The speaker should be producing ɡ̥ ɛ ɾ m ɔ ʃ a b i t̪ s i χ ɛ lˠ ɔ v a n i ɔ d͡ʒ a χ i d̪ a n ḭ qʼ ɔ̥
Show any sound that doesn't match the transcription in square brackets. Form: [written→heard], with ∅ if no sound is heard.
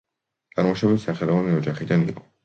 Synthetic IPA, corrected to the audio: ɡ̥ [ɛ→a] ɾ m ɔ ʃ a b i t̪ s [i→a] χ ɛ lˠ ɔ v a n i ɔ d͡ʒ a χ i d̪ a n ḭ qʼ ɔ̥